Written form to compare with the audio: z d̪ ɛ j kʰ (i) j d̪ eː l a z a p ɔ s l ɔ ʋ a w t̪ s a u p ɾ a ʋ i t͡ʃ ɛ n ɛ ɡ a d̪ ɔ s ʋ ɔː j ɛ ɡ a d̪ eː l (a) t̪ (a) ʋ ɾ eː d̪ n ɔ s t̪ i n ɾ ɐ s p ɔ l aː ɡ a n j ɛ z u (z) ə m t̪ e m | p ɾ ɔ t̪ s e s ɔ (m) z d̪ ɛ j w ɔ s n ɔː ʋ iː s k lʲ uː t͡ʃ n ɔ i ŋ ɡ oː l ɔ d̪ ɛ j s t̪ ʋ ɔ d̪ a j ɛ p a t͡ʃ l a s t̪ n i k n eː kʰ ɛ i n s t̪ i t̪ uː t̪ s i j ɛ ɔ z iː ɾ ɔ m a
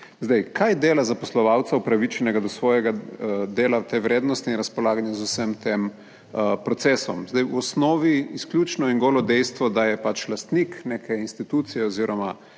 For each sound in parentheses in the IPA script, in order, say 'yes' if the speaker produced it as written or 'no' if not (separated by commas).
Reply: no, yes, no, no, yes